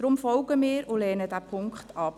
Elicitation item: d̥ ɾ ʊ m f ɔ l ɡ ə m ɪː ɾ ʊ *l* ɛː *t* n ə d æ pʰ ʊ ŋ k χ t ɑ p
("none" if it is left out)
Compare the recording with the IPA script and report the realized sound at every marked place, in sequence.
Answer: l, none

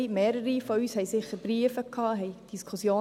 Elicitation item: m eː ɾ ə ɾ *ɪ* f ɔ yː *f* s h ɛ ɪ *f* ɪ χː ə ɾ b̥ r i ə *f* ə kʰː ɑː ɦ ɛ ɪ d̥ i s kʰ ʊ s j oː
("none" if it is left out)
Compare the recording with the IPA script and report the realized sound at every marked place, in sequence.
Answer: i, none, s, f

